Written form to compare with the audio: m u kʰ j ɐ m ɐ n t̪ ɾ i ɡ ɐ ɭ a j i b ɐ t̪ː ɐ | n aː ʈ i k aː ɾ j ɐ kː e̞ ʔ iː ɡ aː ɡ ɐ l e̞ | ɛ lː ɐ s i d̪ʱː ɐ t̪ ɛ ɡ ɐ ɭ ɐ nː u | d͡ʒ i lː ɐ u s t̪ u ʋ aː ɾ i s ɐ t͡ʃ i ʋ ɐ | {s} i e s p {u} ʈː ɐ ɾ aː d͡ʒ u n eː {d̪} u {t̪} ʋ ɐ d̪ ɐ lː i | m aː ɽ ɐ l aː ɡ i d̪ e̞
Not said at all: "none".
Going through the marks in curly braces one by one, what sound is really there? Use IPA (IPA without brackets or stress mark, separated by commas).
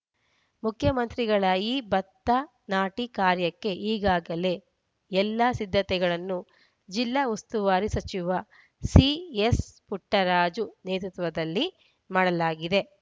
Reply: s, u, t̪, t̪